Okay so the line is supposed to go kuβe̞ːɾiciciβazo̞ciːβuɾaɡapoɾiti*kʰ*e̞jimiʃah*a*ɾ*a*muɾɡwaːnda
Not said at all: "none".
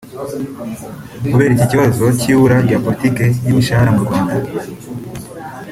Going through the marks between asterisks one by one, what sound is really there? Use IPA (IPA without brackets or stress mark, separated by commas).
k, a, a